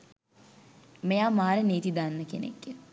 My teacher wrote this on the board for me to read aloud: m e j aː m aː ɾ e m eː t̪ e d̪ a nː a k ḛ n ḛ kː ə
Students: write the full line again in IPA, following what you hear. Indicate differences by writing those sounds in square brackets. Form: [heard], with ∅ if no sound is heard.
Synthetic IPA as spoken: m e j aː m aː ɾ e [n] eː t̪ [i] d̪ a nː [ə] k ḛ n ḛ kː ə